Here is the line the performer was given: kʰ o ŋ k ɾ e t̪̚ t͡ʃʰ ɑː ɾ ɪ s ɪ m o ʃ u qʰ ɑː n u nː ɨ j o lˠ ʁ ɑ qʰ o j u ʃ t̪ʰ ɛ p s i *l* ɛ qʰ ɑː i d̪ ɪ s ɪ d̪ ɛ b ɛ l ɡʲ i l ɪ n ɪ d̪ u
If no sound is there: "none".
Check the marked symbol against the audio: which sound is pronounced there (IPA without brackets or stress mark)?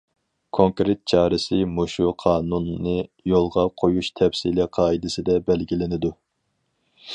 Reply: l